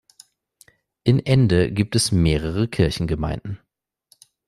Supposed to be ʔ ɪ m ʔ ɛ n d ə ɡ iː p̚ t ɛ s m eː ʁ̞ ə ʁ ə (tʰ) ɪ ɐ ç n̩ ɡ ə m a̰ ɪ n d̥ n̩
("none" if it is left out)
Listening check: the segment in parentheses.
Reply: kʰ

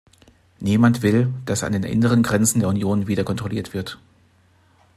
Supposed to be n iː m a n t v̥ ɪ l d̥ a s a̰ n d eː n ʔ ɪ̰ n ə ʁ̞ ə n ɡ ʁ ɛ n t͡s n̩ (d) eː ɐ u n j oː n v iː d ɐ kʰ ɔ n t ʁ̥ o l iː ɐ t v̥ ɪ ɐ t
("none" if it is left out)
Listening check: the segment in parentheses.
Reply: d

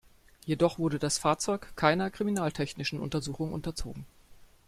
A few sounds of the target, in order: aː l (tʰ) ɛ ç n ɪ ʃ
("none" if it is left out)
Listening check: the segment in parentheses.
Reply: tʰ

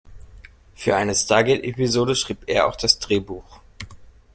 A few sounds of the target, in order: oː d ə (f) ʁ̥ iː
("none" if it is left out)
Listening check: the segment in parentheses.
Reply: ʃ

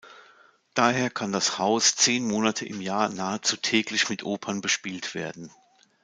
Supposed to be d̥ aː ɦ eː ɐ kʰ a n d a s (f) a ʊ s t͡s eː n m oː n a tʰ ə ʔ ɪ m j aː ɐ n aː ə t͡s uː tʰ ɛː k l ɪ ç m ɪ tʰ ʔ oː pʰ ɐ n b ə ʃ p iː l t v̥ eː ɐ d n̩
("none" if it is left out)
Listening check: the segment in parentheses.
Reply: h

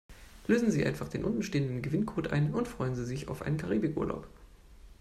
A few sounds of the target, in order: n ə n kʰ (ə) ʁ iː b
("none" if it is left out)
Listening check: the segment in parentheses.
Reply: a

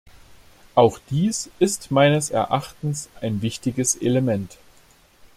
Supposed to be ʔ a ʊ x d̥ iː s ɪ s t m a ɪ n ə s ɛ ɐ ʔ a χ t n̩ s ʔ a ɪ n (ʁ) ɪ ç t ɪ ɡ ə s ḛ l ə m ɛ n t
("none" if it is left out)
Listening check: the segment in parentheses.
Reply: v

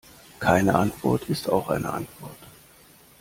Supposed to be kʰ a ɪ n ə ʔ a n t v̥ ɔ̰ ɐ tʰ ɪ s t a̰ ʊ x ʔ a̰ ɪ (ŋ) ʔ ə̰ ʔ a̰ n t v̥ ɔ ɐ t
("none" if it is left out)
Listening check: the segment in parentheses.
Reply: n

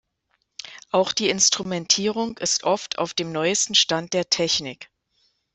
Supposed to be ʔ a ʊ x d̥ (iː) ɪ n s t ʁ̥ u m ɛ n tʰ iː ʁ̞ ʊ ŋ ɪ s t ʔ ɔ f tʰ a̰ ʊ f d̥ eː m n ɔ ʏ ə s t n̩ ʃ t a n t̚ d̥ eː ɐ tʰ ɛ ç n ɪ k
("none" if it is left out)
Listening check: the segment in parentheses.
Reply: iː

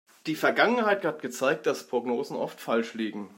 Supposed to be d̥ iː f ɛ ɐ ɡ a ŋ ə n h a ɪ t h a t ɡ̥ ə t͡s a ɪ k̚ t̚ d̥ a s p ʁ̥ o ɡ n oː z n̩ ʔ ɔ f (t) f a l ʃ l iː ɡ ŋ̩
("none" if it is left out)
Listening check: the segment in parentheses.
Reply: t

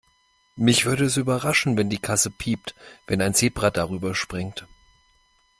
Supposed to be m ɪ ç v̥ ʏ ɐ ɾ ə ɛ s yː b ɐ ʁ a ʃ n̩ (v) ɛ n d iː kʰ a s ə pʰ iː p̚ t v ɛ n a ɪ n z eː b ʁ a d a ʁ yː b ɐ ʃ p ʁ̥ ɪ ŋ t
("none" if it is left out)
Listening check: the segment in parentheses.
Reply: v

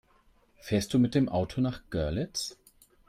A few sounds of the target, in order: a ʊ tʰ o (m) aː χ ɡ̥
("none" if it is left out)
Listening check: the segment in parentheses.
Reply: n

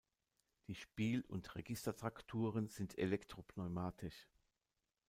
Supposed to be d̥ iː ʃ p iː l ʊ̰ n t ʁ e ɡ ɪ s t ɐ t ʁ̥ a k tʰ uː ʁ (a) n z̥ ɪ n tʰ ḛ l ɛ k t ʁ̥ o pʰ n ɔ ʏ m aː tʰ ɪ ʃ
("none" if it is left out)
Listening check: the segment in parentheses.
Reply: ə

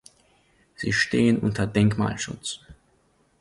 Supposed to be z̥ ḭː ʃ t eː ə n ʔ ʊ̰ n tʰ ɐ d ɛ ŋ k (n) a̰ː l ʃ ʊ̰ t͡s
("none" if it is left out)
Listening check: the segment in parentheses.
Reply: m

